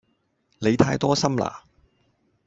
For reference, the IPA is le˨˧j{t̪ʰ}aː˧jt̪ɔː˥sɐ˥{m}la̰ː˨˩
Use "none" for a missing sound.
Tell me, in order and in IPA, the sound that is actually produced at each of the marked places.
t̪ʰ, m

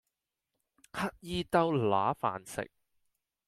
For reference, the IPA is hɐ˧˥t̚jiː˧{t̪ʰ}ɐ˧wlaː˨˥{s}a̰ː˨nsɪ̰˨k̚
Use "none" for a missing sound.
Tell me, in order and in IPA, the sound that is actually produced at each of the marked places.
t̪, f

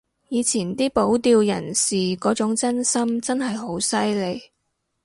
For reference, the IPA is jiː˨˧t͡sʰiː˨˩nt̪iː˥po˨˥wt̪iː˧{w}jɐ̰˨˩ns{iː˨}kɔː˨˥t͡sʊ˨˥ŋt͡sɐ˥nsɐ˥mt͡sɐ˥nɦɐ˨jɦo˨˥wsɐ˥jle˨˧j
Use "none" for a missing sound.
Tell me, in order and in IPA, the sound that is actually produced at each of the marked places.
w, iː˨

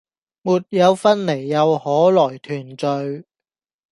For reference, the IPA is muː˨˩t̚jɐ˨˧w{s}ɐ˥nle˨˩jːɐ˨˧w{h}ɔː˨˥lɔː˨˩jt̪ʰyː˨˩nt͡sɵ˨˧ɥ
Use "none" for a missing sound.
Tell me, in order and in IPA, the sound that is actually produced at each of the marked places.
f, h

